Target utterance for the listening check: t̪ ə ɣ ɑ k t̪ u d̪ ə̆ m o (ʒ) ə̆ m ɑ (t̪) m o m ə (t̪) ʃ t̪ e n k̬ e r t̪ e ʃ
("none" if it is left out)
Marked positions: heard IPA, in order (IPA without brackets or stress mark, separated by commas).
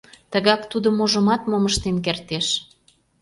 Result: ʒ, t̪, none